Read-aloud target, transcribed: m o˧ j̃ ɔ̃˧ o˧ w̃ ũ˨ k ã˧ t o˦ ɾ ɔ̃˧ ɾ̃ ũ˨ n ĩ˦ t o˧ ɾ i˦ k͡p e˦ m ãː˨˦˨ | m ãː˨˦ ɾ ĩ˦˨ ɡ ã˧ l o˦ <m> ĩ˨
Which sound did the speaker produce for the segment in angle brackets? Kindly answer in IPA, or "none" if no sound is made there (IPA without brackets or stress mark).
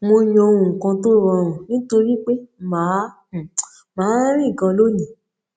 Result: n